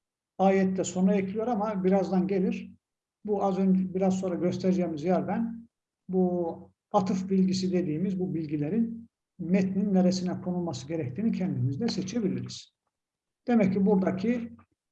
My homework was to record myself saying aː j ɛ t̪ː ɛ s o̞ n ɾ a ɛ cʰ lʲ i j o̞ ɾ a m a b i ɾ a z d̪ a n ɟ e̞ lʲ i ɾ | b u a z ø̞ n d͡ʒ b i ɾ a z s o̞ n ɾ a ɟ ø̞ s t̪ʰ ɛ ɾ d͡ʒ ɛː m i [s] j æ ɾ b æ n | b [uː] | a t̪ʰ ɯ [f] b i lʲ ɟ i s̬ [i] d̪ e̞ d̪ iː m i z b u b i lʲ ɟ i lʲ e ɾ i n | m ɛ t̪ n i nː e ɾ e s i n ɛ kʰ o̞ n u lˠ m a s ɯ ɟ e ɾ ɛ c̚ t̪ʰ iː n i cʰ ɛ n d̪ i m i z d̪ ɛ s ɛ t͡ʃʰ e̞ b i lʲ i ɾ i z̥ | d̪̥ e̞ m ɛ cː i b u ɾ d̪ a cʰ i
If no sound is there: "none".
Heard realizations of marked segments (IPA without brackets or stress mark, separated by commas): z, u, f, i